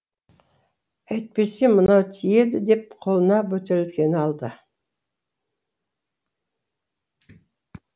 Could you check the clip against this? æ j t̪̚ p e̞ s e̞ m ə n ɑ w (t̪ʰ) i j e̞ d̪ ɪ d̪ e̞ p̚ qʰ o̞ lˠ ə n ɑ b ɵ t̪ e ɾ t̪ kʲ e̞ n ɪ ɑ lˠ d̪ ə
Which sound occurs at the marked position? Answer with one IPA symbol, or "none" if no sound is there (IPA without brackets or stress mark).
t̪ʰ